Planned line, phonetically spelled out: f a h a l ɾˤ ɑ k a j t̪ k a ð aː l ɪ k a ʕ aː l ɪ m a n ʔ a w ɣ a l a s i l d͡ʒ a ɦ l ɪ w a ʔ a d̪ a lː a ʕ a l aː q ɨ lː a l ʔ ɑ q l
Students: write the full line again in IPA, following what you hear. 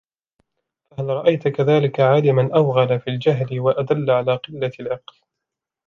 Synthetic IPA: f a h a l ɾˤ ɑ ʔ a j t̪ k a ð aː l ɪ k a ʕ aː l ɪ m a n ʔ a w ɣ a l a f i l d͡ʒ a ɦ l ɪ w a ʔ a d̪ a lː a ʕ a l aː q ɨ lː a l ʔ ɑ q l